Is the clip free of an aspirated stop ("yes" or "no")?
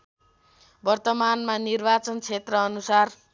no